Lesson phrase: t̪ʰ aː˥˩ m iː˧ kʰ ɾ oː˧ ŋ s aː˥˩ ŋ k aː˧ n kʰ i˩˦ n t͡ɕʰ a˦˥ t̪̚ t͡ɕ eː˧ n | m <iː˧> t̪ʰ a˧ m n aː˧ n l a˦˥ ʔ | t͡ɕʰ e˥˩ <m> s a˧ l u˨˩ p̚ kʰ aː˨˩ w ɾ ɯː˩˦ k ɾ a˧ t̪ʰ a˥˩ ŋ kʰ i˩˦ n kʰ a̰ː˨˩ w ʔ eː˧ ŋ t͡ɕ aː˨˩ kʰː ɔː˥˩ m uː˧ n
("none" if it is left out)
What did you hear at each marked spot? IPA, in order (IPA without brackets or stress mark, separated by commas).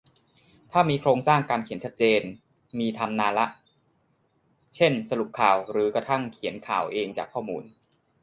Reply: iː˧, n